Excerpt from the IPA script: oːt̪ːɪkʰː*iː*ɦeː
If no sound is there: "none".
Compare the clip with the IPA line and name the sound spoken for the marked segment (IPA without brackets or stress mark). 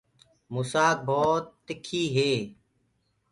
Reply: iː